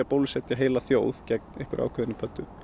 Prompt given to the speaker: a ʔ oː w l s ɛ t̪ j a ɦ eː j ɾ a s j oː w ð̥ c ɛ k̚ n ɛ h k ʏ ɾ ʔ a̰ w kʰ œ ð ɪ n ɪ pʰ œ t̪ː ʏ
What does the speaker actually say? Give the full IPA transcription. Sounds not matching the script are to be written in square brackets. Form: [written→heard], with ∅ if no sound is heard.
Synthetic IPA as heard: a [ʔ→p] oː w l s ɛ t̪ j a ɦ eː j [ɾ→l] a [s→θ] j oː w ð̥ c ɛ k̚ n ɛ h k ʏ ɾ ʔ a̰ w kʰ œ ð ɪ n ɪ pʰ œ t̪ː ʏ